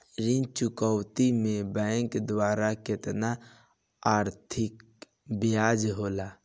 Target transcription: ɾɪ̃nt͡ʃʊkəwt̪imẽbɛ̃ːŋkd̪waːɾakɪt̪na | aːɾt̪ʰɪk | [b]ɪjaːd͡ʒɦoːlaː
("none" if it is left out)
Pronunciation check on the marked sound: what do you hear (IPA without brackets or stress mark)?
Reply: b